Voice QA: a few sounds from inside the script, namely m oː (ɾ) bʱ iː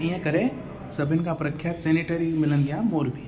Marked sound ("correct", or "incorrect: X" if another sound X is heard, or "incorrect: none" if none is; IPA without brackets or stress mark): correct